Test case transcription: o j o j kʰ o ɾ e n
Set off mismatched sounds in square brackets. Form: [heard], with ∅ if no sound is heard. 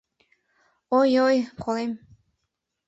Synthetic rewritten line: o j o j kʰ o [l] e [m]